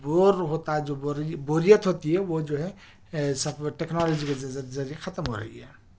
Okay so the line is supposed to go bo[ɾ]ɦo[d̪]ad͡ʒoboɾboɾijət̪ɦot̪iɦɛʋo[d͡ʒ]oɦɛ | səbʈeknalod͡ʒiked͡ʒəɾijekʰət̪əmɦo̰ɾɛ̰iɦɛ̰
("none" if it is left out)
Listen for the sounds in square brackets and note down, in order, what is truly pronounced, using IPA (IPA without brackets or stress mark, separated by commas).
ɾ, t̪, d͡ʒ